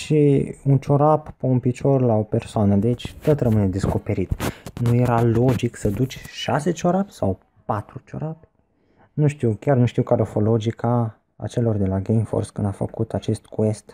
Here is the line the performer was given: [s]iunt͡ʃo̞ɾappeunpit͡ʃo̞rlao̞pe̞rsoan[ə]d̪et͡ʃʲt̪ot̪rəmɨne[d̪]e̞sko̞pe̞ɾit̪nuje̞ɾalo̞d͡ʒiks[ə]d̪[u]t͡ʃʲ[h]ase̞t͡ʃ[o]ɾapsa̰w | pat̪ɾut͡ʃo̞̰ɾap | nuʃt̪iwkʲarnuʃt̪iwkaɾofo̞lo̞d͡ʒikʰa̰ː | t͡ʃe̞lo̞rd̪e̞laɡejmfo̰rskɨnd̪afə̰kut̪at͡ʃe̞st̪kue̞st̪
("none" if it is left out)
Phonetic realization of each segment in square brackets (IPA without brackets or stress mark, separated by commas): ʃ, ə, d̪, ə, u, ʃ, o